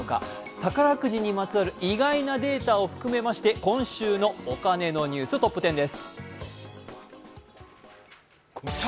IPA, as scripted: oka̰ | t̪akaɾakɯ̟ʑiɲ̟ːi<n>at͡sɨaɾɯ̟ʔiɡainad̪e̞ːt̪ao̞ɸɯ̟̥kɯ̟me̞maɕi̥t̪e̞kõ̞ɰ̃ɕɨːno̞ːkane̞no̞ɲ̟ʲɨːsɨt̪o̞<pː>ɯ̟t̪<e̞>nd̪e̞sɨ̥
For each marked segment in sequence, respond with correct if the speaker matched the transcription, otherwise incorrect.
incorrect, correct, incorrect

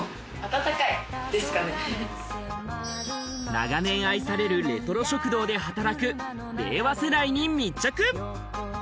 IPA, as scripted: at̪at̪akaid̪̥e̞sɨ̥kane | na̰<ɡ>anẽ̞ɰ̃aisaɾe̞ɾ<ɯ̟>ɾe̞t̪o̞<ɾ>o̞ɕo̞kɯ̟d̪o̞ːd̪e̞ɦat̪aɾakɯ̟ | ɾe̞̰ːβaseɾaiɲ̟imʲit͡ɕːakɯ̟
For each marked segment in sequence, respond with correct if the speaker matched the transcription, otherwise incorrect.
correct, correct, correct

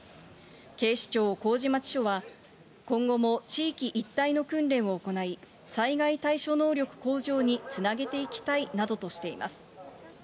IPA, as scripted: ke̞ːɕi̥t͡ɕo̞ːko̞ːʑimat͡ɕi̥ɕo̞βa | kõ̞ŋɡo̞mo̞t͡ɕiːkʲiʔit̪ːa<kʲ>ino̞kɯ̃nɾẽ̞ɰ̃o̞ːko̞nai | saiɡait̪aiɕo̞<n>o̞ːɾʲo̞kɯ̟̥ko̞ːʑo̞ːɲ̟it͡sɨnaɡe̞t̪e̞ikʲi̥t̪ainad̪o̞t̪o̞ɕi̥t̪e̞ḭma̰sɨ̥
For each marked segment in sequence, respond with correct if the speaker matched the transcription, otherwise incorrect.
incorrect, correct

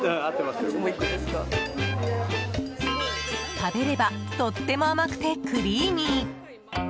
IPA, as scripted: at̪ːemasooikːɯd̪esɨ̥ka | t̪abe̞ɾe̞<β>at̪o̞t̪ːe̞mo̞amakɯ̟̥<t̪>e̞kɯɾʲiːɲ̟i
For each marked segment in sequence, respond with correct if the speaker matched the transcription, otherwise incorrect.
incorrect, correct

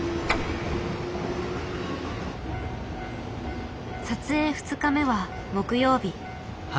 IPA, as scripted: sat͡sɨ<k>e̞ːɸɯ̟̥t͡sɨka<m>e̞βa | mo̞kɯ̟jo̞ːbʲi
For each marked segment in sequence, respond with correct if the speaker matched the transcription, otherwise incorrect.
incorrect, correct

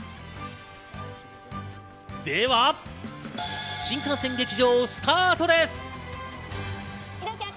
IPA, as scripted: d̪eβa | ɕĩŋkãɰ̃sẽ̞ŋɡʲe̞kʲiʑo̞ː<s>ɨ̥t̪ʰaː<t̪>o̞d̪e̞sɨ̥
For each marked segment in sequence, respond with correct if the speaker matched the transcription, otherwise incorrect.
correct, correct

